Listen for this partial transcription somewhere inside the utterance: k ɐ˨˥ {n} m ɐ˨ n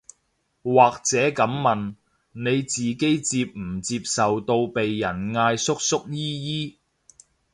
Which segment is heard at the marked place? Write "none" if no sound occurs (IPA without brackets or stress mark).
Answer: m